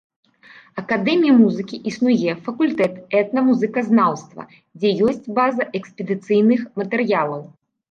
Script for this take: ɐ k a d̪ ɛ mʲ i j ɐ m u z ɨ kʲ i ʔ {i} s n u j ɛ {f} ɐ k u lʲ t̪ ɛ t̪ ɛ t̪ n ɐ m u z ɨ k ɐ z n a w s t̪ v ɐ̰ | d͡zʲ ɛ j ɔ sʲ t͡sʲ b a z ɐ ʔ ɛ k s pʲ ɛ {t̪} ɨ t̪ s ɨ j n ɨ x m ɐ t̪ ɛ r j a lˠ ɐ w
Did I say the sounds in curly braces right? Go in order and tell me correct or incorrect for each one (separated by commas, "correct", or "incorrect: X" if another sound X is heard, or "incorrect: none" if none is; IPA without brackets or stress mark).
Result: correct, correct, incorrect: d̪